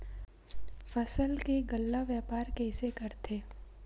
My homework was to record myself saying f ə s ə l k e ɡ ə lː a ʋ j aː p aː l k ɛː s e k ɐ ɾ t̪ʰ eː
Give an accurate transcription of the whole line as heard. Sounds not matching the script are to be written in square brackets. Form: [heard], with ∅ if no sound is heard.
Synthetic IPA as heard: f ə s ə l k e ɡ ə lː a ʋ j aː p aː [ɾ] k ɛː s e k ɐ ɾ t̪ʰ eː